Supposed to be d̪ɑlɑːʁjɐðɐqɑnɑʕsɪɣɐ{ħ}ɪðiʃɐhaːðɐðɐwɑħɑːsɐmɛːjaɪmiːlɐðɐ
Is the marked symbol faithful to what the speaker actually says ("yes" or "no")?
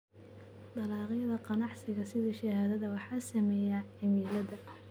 no